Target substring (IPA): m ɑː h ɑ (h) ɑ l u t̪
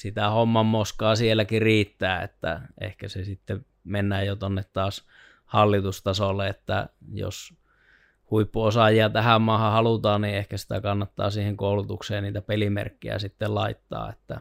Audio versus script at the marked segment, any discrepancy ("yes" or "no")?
no